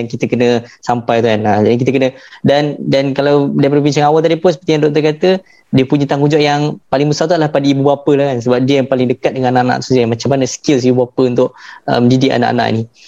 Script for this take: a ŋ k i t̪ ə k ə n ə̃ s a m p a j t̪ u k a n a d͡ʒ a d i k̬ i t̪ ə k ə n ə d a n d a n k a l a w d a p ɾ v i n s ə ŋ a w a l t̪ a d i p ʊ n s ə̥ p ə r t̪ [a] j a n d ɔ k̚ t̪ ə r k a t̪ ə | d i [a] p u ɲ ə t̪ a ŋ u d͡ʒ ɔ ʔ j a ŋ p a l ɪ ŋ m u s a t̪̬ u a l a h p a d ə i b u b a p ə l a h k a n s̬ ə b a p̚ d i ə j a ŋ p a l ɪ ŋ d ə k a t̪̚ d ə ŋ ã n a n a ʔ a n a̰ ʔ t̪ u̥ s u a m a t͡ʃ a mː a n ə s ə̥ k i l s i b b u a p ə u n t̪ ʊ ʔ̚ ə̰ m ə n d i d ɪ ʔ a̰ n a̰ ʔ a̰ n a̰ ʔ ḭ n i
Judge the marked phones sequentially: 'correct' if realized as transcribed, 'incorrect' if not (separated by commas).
incorrect, incorrect